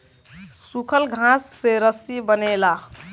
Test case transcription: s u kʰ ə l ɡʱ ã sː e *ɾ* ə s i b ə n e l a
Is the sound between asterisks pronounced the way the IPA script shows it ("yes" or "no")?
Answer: yes